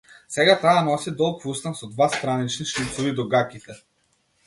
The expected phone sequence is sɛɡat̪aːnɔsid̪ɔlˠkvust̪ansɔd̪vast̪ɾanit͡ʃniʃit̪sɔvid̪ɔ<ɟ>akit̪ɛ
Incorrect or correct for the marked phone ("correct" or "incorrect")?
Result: incorrect